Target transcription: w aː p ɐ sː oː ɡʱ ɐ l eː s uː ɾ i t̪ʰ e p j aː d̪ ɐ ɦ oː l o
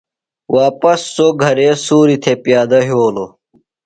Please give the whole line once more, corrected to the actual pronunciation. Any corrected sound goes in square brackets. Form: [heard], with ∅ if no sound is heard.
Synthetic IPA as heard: w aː p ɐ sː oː ɡʱ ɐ [ɾ] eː s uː ɾ i t̪ʰ e p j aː d̪ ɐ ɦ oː l o